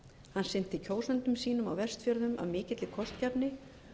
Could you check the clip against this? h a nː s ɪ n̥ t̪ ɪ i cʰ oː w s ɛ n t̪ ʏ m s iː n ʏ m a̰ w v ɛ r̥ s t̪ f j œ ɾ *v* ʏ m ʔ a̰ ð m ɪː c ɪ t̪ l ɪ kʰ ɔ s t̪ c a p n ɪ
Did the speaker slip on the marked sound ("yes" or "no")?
yes